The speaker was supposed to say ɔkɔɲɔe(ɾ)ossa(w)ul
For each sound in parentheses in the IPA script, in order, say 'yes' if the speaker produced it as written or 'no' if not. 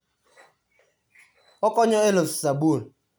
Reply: no, no

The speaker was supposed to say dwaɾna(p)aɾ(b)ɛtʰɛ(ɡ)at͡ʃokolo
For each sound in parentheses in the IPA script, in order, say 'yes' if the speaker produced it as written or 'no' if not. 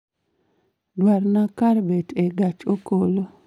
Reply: no, yes, yes

